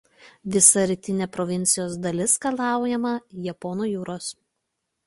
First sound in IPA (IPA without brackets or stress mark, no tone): ʋʲ